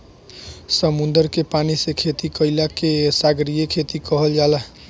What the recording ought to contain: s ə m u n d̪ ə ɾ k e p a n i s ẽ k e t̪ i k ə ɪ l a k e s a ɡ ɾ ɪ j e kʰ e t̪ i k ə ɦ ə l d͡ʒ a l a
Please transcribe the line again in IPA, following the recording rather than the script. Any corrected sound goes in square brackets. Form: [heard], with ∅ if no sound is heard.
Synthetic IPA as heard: s ə m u n d̪ ə ɾ k e p a n i s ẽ [kʰ] e t̪ i k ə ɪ l a k e s a ɡ ɾ [i] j e kʰ e t̪ i k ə ɦ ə l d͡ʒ a l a